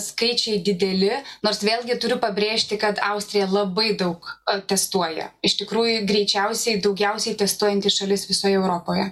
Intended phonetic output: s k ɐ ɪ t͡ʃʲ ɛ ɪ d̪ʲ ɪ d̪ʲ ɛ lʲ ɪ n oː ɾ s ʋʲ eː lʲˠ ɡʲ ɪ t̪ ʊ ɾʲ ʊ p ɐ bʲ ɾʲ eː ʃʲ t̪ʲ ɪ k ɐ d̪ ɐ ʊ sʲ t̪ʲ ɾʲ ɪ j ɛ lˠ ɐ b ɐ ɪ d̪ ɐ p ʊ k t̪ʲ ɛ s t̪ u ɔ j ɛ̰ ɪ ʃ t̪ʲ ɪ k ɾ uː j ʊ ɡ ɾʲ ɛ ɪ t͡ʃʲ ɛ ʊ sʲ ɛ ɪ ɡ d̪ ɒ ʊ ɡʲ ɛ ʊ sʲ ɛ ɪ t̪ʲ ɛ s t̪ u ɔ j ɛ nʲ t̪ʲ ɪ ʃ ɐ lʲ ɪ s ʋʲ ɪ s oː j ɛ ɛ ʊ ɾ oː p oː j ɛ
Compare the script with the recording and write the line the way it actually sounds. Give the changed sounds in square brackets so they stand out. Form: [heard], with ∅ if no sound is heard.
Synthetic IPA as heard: s k ɐ ɪ t͡ʃʲ ɛ ɪ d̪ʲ ɪ d̪ʲ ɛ lʲ ɪ n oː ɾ s ʋʲ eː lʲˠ ɡʲ ɪ t̪ ʊ ɾʲ ʊ p ɐ bʲ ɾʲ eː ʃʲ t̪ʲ ɪ k ɐ [t̪] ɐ ʊ sʲ t̪ʲ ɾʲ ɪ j ɛ lˠ ɐ b ɐ ɪ d̪ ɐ [∅] ʊ k t̪ʲ ɛ s t̪ u ɔ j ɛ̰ ɪ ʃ t̪ʲ ɪ k ɾ uː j ʊ ɡ ɾʲ ɛ ɪ t͡ʃʲ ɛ ʊ sʲ ɛ ɪ [∅] d̪ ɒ ʊ ɡʲ ɛ ʊ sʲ ɛ ɪ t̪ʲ ɛ s t̪ u ɔ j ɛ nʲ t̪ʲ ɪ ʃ ɐ lʲ ɪ s ʋʲ ɪ s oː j ɛ ɛ ʊ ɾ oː p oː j ɛ